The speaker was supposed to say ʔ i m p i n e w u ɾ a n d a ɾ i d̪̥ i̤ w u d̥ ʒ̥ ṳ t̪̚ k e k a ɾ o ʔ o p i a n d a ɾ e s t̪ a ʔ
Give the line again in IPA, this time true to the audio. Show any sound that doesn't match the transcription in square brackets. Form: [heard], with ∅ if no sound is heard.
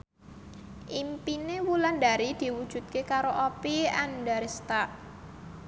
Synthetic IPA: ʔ i m p i n e w u [l] a n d a ɾ i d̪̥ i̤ w u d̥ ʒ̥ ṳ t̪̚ k e k a ɾ o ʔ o p i a n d a ɾ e s t̪ a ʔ